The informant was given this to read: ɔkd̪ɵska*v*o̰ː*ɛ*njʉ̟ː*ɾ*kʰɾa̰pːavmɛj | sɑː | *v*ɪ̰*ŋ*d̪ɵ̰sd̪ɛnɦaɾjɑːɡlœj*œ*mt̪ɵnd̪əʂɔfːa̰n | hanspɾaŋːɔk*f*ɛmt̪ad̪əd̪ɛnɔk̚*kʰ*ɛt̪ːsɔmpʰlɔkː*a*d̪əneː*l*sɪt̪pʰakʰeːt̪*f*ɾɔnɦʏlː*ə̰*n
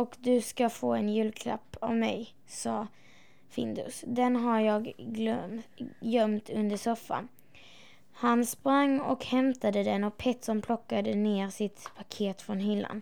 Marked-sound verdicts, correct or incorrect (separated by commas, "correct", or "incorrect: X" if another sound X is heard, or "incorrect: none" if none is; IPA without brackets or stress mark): incorrect: f, correct, incorrect: l, incorrect: f, incorrect: n, correct, incorrect: h, incorrect: pʰ, correct, incorrect: ɾ, correct, incorrect: a̰